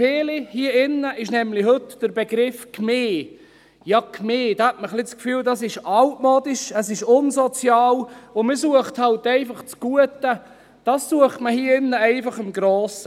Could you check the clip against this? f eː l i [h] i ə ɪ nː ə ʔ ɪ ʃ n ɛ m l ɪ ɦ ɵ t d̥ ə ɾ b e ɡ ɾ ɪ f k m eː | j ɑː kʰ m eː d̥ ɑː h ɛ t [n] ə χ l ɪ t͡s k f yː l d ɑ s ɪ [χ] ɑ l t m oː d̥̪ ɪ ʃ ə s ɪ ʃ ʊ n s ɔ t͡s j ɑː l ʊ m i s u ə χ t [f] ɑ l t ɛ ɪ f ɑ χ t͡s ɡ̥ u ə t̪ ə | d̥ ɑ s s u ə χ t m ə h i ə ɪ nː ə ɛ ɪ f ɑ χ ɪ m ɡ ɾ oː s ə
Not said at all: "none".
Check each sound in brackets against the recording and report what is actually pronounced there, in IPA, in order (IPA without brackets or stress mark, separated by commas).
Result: h, m, ʃ, h